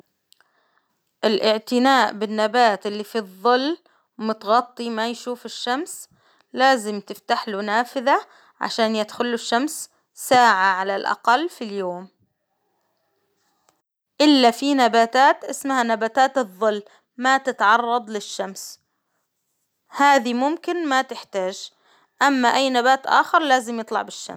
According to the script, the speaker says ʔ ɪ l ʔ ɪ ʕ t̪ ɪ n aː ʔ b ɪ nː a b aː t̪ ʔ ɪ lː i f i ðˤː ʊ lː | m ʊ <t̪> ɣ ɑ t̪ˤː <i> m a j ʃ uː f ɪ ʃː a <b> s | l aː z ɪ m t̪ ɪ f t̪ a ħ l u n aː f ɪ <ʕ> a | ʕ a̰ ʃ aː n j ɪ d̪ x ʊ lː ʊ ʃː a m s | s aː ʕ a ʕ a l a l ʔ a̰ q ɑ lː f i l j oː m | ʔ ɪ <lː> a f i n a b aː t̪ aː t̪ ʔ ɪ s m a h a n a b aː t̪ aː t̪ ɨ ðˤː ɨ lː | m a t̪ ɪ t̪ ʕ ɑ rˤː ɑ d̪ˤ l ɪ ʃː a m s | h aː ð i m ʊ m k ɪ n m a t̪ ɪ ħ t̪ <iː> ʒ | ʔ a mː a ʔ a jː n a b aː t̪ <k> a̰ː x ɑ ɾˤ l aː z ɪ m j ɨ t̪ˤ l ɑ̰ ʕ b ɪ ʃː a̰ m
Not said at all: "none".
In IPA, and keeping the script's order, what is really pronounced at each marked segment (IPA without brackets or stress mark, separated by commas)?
t̪, i, m, ð, lː, aː, ʔ